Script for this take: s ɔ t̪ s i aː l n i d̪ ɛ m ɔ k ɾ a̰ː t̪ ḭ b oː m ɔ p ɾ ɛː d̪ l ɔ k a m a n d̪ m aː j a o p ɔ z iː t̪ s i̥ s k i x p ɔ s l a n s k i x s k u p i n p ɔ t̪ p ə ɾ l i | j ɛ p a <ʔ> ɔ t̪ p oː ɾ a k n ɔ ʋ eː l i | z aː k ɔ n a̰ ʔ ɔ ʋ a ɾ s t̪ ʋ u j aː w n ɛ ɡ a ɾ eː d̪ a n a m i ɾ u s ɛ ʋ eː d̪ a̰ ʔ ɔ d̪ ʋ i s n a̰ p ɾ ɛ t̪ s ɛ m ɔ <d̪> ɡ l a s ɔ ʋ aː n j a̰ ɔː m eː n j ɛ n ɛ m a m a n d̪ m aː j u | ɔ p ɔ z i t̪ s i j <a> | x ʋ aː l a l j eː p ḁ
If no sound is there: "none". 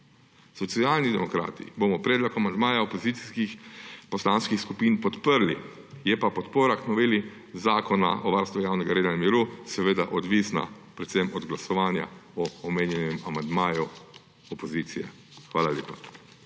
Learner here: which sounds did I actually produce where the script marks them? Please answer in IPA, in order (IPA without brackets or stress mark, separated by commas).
p, d̪, ɛ